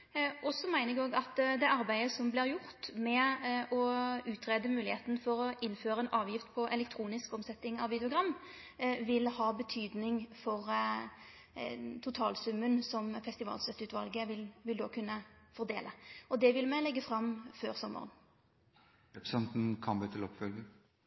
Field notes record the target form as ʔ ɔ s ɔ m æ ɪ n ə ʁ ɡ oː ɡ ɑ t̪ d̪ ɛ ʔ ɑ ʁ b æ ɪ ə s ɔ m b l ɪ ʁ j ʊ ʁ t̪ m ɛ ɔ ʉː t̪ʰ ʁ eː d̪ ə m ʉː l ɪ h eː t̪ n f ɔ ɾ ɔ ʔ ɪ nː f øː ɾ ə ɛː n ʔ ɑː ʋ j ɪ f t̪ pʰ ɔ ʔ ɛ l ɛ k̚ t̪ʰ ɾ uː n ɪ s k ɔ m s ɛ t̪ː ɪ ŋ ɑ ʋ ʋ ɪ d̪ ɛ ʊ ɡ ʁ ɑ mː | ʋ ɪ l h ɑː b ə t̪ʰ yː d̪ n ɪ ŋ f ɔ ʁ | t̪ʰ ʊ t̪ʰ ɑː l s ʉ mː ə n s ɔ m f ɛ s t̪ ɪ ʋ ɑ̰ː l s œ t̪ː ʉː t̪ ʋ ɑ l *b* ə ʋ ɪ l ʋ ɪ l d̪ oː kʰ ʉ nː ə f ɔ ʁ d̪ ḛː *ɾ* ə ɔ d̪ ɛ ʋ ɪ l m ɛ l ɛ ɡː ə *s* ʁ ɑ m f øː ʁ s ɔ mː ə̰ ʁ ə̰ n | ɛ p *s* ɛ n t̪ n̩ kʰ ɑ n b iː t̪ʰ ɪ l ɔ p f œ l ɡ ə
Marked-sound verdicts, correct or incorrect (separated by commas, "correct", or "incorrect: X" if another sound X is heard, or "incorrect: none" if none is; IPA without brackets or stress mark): incorrect: ɡ, incorrect: l, incorrect: f, correct